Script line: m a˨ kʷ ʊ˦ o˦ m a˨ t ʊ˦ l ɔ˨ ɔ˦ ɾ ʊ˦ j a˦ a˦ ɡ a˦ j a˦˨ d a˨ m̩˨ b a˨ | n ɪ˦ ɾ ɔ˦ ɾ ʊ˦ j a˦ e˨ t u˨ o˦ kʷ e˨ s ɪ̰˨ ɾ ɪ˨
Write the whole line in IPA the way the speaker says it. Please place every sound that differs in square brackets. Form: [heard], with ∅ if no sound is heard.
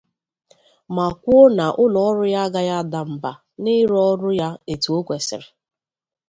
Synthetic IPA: m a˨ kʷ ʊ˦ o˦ [n] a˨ [ʔ] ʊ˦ l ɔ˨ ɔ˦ ɾ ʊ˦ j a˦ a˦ ɡ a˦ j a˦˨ d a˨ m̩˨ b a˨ | n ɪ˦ ɾ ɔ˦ ɾ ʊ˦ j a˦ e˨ t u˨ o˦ kʷ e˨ s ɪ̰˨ ɾ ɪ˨